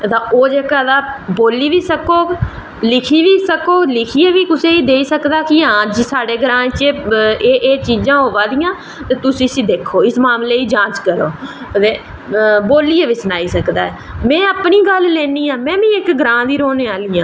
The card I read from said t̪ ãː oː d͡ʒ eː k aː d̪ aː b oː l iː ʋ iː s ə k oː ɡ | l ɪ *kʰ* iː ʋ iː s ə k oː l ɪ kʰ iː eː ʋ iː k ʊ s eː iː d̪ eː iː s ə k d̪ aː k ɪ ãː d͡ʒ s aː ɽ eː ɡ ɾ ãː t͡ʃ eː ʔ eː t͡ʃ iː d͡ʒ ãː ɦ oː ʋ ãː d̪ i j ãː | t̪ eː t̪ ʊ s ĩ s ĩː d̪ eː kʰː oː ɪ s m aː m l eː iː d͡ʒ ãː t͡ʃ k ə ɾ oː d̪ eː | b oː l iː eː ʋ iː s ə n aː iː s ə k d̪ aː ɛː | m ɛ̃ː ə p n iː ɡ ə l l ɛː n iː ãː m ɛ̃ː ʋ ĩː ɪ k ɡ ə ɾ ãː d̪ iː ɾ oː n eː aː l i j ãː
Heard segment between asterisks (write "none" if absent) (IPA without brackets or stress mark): kʰ